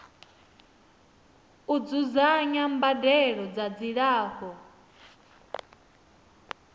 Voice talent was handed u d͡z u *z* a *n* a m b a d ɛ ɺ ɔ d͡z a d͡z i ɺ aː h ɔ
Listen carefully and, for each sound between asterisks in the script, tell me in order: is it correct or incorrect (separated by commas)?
correct, incorrect